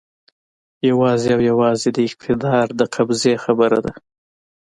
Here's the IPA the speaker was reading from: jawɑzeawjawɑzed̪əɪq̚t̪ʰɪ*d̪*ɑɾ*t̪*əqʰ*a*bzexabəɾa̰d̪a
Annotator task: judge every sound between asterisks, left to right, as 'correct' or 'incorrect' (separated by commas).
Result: correct, incorrect, correct